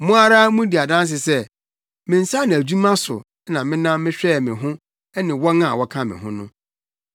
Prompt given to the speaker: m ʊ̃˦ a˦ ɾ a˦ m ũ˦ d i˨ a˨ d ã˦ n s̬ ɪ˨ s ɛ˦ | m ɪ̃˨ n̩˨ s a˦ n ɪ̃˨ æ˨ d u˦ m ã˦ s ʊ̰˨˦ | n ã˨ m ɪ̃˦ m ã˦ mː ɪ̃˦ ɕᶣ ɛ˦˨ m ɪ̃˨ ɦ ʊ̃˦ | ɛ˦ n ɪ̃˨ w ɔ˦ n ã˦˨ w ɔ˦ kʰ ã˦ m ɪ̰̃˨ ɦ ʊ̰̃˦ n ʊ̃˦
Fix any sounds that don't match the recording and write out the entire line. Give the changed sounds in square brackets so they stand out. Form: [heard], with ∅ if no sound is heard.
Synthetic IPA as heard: m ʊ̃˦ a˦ ɾ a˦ m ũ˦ d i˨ a˨ d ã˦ n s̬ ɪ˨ s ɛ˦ | m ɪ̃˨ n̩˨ s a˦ n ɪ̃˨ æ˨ [d͡ʑ] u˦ m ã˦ s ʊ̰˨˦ | n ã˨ m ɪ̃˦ [n] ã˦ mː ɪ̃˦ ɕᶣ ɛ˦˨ m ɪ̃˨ ɦ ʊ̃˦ | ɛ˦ n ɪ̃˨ w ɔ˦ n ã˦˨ w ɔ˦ kʰ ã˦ m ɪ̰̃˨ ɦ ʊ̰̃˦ n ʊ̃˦